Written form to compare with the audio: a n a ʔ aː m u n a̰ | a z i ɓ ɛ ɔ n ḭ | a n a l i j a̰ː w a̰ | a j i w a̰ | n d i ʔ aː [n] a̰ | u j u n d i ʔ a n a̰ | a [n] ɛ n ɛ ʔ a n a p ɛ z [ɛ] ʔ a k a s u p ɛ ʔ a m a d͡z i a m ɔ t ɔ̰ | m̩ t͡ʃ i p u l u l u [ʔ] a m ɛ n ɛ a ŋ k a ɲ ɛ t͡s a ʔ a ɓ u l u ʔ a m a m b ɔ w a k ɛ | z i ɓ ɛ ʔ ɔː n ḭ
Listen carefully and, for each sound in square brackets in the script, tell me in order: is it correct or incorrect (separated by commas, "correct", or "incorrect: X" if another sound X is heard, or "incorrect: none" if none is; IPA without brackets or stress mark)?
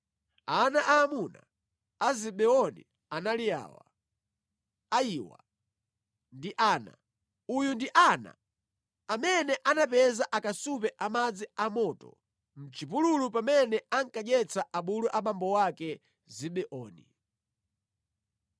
correct, incorrect: m, incorrect: a, incorrect: p